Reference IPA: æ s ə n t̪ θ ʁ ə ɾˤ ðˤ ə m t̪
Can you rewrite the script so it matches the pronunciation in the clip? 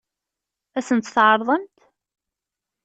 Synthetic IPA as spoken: æ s ə n t̪ θ ʕ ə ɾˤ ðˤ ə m t̪